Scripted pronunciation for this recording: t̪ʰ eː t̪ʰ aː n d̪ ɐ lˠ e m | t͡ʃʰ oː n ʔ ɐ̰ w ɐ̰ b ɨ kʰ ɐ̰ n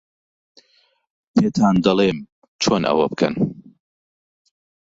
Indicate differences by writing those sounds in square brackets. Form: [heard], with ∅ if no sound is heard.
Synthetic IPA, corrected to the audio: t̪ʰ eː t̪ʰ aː n d̪ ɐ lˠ e m | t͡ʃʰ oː n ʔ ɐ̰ w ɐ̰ b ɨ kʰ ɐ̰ n

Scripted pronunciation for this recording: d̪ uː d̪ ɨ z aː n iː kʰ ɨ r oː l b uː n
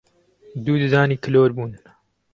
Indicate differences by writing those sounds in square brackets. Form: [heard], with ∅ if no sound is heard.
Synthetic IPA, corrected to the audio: d̪ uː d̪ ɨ z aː n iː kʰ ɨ [l] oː [ɾ] b uː n

